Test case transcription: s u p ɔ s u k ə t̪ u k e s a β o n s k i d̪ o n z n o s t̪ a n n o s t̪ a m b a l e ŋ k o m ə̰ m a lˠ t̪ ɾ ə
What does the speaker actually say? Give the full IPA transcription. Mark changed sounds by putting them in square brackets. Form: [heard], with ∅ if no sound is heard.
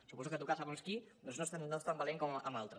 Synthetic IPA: s u p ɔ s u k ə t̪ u k [a] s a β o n s k i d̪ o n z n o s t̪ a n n o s t̪ a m b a l e ŋ k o m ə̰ m a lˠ t̪ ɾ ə

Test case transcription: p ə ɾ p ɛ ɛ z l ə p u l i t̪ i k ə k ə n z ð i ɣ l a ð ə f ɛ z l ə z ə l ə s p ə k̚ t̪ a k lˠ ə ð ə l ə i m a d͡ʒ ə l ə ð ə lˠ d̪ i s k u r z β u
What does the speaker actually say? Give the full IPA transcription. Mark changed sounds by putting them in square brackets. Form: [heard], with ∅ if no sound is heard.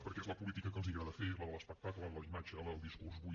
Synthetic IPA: p ə ɾ [k] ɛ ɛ z l ə p u l i t̪ i k ə k ə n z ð i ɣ [ɾ] a ð ə f [e] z l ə [ð] ə l ə s p ə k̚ t̪ a k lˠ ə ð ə l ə i m a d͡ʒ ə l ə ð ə lˠ d̪ i s k u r z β u

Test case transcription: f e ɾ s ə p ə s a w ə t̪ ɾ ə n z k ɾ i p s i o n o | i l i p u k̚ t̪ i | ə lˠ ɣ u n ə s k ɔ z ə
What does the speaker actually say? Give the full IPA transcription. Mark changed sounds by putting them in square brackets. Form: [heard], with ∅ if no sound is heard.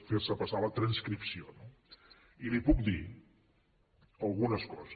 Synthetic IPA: f e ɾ s ə p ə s a [β] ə t̪ ɾ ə n [s] k ɾ i p s i o n o | i l i p u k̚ [d̪] i | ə lˠ ɣ u n ə s k ɔ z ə

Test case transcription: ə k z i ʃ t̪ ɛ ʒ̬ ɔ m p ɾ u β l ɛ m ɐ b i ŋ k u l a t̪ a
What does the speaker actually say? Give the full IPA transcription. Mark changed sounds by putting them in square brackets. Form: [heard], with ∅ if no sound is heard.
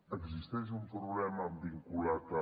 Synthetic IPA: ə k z i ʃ t̪ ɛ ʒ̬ [u] m p ɾ u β l ɛ m ɐ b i ŋ k u l a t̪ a

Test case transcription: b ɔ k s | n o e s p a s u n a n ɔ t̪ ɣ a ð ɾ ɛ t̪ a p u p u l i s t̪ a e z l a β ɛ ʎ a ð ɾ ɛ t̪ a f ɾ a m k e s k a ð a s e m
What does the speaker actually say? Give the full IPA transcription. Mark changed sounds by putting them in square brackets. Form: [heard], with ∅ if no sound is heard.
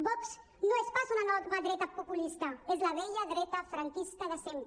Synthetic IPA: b ɔ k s | n o e s p a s u n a n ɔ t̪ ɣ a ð ɾ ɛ t̪ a p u p u l i s t̪ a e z l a β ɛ ʎ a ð ɾ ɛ t̪ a f ɾ a [ŋ] k [i] s k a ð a s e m

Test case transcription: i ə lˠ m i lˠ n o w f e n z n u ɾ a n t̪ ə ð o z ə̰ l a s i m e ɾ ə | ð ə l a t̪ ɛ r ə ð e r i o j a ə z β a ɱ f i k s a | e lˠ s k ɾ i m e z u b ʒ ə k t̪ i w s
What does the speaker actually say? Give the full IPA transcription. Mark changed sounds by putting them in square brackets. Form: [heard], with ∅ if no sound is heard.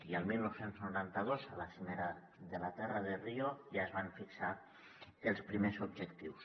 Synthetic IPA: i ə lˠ m i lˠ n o w [s] e n z n u ɾ a n t̪ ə ð o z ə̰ l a s i m e ɾ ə | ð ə l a t̪ ɛ r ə ð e r i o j a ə z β a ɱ f i k s a | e lˠ s [p] ɾ i m e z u b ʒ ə k t̪ i w s

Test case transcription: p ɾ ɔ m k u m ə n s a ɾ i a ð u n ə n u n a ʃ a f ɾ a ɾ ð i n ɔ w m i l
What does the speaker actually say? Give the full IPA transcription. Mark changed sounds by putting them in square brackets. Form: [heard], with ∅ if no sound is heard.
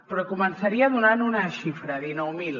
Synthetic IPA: p ɾ ɔ [∅] k u m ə n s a ɾ i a ð u n [a] n u n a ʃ [i] f ɾ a [∅] ð i n ɔ w m i l

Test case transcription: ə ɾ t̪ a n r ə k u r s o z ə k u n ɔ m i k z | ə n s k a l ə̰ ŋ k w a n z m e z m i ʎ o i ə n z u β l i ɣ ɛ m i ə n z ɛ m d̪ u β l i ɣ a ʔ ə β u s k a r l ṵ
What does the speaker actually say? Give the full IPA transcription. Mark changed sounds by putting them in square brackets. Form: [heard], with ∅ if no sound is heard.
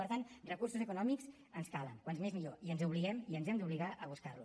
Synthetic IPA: ə ɾ t̪ a n r ə k u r s [u] z ə k u n ɔ m i k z | ə n s k a l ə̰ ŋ k w a n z m e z m i ʎ o i ə n z u β l i ɣ ɛ m i ə n z ɛ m d̪ u β l i ɣ a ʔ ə β u s k a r l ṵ

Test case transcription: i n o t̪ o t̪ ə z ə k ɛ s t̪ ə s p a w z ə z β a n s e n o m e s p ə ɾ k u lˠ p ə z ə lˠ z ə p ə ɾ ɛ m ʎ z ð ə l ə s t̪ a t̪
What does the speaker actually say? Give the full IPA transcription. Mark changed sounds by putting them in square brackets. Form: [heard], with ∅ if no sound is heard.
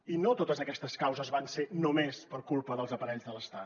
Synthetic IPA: i n o t̪ o t̪ ə z ə k ɛ s t̪ ə s [k] a w z ə z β a n s e n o m e s p ə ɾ k u lˠ p ə [ð] ə lˠ z ə p ə ɾ ɛ [∅] ʎ z ð ə l ə s t̪ a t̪

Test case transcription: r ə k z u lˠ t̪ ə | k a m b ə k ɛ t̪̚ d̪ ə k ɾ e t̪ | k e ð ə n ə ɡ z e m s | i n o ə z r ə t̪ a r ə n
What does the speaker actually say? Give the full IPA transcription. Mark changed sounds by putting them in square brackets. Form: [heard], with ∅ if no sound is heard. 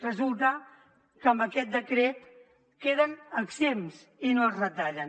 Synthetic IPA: r ə [∅] z u lˠ t̪ ə | k [ə] m b ə k ɛ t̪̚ d̪ ə k ɾ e t̪ | k e ð ə n ə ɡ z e m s | i n o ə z r ə t̪ a [ʎ] ə n

